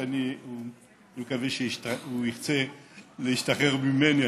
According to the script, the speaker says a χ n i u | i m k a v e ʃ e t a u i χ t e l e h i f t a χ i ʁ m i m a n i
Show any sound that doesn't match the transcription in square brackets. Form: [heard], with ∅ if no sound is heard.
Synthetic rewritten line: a [∅] n i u | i m k a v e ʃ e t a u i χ [t͡s] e l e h i [ʃ] t a χ [e] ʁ m i m [e] n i